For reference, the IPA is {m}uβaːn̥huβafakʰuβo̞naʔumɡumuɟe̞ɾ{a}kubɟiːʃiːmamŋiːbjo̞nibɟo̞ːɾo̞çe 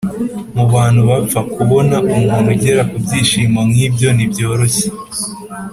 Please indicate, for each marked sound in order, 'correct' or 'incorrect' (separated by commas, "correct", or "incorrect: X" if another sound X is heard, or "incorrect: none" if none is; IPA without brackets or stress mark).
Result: correct, correct